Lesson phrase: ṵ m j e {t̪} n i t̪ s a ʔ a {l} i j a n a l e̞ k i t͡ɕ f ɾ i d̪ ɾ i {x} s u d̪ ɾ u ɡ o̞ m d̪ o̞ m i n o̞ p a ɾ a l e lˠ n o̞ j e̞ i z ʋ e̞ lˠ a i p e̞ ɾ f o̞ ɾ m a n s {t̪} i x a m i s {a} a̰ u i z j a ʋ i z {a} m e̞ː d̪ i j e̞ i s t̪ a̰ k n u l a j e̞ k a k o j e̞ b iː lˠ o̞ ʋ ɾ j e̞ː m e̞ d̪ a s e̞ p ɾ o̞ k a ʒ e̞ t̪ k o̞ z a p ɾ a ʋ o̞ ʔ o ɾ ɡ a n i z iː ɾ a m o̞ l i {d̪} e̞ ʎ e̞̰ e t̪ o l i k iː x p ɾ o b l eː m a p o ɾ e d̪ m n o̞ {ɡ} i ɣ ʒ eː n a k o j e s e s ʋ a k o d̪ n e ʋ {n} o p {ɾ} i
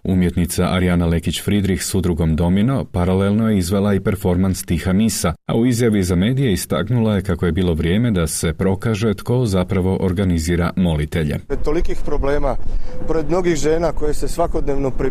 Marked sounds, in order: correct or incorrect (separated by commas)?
correct, incorrect, correct, correct, correct, correct, incorrect, correct, correct, correct